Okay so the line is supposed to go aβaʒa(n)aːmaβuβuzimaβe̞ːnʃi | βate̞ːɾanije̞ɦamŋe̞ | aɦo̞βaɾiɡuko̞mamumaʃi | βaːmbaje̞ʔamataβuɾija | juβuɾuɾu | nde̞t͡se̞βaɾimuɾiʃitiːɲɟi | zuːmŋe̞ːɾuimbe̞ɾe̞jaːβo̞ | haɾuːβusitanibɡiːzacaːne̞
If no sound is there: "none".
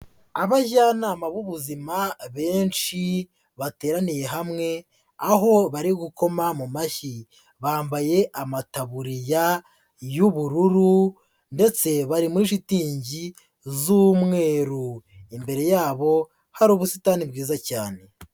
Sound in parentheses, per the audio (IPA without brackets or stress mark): n